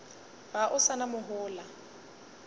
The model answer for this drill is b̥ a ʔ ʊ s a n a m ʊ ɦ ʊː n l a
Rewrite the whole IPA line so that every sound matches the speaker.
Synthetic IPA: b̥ a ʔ ʊ s a n a m ʊ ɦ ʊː l a

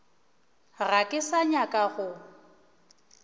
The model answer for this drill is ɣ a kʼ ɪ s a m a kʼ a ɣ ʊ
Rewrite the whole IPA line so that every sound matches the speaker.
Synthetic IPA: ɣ a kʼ ɪ s a ɲ a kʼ a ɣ ʊ

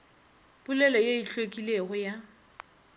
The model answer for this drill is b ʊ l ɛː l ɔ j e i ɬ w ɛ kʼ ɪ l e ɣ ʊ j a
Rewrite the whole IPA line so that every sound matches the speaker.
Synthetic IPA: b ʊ l ɛ l ɔ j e i ɬ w e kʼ i l e ɣ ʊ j a

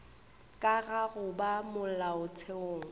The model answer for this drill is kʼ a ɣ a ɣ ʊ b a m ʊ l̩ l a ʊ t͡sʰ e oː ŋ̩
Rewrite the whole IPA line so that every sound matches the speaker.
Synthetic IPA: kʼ a ɣ a ɣ ʊ b a m ʊ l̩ l a ʊ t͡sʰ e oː ŋ̩

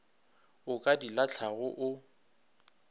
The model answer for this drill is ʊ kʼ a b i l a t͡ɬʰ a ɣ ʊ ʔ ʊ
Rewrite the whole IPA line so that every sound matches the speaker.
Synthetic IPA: ʊ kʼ a d i l a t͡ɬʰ a ɣ ʊ ʔ ʊ

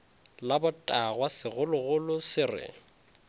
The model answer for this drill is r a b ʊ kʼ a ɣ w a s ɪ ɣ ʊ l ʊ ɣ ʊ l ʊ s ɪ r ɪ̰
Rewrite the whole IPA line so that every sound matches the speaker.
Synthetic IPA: l a b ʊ tʼ a ɣ w a s ɪ ɣ ʊ l ʊ ɣ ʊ l ʊ s ɪ r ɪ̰

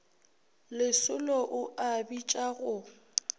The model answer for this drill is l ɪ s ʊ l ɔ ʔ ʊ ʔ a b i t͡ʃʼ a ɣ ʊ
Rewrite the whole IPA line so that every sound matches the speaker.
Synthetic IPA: l ɪ s ʊ l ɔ ʔ ʊ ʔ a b i t͡ʃʼ a ɣ ʊ

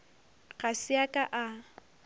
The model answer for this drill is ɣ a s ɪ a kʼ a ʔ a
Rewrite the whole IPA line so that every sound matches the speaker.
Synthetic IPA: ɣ a s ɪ a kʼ a ʔ a

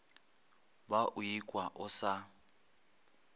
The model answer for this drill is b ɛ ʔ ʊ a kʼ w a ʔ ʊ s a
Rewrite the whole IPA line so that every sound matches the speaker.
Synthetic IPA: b a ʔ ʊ i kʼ w a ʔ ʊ s a

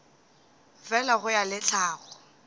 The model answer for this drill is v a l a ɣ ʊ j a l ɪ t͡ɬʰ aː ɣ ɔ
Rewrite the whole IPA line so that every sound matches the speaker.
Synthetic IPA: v ɛ l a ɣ ʊ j a l ɪ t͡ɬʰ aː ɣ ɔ

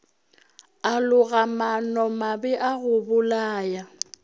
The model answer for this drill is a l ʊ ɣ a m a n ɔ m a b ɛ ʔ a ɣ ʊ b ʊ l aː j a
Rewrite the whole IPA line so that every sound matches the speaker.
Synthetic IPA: a l ʊ ɣ a m a n ɔ m a b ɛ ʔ a ɣ ʊ b ʊ l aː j a

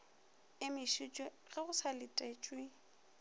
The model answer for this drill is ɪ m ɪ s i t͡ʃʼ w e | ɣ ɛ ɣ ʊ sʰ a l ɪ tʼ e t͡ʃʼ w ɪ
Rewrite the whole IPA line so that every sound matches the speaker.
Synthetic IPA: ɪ m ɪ ʃ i t͡ʃʼ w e | ɣ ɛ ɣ ʊ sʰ a l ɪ tʼ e t͡ʃʼ w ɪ

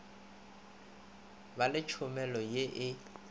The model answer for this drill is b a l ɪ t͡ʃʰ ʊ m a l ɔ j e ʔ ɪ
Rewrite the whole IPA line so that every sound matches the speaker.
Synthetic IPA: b a l ɪ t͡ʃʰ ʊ m ɛ l ɔ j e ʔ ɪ

